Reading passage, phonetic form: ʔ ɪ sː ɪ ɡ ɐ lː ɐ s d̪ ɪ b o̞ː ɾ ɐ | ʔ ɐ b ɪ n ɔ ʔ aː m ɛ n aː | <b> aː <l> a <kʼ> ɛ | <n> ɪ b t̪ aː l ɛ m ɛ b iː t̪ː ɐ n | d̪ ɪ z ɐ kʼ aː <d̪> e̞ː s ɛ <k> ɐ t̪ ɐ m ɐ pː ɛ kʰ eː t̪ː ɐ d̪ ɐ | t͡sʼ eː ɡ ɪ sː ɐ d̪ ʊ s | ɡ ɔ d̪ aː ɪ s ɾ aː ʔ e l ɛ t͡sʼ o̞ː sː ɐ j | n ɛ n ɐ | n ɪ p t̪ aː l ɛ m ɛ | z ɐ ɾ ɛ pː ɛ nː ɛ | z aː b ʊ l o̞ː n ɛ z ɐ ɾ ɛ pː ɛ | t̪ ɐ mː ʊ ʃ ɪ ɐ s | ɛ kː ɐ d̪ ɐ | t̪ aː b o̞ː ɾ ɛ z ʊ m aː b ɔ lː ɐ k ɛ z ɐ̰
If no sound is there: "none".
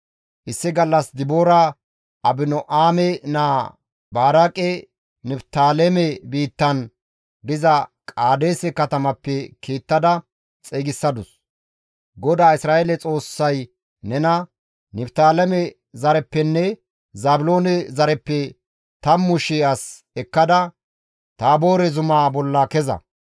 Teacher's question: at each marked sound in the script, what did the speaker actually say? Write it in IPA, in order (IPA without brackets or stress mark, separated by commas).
b, ɾ, kʼ, n, d̪, k